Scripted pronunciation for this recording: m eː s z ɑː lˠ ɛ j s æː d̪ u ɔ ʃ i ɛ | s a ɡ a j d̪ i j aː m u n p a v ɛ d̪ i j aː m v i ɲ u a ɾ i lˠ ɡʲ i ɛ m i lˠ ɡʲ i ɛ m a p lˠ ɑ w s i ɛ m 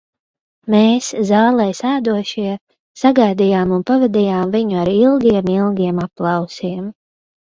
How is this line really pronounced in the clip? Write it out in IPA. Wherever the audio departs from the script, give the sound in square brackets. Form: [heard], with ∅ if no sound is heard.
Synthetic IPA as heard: m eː s z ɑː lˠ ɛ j s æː d̪ u ɔ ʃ i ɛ | s a ɡ a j d̪ i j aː m u n p a v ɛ d̪ i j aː m v i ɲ u a ɾ i lˠ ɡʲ i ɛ m i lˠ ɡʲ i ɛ m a p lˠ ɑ w s i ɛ m